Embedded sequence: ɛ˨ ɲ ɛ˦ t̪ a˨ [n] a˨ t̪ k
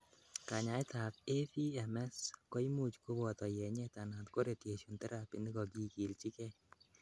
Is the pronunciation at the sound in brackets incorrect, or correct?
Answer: correct